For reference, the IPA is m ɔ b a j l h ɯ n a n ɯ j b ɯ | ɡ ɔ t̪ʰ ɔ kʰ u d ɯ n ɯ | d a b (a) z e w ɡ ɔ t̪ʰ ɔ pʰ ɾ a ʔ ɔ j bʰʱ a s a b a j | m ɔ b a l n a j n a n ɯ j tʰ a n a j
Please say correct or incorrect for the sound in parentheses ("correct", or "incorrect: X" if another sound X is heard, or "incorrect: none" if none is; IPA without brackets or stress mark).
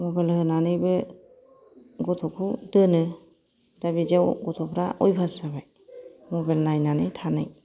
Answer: incorrect: i